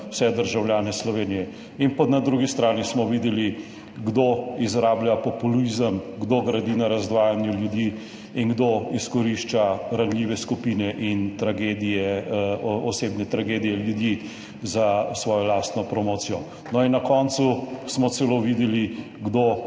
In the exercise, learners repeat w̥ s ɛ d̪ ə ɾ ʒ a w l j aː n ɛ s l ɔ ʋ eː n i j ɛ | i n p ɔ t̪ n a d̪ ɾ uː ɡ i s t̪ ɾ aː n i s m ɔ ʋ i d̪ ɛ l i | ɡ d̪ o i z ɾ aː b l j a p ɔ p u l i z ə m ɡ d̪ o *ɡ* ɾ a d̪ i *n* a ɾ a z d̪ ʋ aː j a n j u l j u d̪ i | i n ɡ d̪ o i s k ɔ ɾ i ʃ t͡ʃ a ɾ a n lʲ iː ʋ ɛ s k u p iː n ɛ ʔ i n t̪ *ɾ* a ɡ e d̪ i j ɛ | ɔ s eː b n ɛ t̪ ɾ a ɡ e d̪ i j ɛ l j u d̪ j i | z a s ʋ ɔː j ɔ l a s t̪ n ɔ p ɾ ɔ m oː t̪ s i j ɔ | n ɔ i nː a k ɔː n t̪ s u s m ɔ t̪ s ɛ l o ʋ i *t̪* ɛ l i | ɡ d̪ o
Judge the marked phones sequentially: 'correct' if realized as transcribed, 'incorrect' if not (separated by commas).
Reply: correct, correct, correct, incorrect